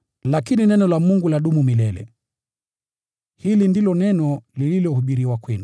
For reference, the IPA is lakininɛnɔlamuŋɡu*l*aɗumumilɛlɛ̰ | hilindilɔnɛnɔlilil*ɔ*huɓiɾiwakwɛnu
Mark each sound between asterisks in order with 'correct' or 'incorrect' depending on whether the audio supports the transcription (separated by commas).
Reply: correct, correct